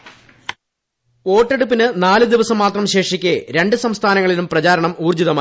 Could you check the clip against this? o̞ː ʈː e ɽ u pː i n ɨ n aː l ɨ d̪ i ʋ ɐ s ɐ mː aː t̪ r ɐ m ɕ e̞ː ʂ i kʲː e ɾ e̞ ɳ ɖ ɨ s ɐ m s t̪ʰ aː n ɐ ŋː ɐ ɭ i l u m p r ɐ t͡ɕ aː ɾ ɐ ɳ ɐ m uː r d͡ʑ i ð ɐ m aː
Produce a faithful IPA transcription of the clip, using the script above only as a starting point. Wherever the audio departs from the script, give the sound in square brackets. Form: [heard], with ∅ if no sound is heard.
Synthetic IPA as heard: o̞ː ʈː e ɽ u pː i n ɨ n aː l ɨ d̪ i ʋ ɐ s ɐ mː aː t̪ r ɐ m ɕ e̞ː ʂ i kʲː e ɾ e̞ ɳ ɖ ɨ s ɐ m s t̪ʰ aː n ɐ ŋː ɐ ɭ i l u m p r ɐ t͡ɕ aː ɾ ɐ ɳ ɐ m uː r d͡ʑ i ð ɐ m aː